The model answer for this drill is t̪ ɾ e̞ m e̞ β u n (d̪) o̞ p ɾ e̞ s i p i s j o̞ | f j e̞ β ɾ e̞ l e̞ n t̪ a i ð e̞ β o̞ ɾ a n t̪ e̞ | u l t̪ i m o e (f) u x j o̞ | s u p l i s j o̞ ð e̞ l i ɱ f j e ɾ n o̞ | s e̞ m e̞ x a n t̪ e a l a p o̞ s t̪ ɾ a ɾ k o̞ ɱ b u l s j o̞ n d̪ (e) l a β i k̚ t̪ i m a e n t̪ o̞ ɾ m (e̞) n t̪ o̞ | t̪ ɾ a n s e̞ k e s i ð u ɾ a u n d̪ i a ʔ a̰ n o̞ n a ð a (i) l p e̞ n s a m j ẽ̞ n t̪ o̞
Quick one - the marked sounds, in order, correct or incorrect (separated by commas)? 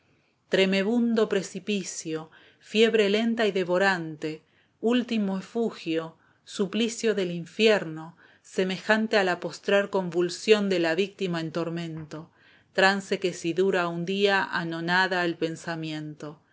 correct, correct, correct, incorrect, incorrect